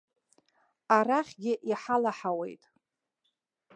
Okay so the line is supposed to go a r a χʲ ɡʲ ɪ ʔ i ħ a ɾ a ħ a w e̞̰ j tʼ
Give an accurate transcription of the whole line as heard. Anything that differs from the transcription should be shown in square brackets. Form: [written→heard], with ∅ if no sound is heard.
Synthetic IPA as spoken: a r a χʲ ɡʲ ɪ ʔ i ħ a [ɾ→l] a ħ a w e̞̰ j tʼ